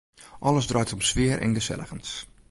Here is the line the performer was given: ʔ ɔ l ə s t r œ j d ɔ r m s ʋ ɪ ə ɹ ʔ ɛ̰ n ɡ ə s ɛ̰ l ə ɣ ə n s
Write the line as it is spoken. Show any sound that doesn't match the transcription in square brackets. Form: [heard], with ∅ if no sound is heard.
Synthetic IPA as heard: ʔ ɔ l ə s [d] r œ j [t] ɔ [∅] m s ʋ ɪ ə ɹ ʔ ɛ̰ n ɡ ə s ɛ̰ l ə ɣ ə n s